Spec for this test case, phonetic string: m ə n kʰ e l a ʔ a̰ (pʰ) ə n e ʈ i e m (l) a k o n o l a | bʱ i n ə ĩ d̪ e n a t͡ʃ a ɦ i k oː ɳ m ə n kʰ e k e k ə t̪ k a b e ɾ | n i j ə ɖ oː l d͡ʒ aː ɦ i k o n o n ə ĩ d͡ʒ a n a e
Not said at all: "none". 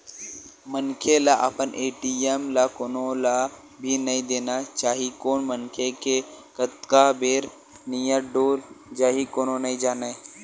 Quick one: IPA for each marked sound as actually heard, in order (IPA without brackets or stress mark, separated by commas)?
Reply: p, l